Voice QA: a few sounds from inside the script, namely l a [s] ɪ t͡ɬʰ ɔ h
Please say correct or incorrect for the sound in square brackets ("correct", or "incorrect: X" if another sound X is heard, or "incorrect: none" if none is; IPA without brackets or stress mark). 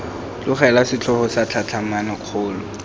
correct